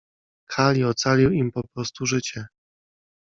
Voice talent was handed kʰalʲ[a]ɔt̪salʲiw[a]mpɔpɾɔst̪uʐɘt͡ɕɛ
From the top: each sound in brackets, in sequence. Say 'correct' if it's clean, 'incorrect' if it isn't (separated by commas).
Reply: incorrect, incorrect